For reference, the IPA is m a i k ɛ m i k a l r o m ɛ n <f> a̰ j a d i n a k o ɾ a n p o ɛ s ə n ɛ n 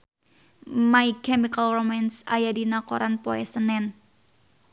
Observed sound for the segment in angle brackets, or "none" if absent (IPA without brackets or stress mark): s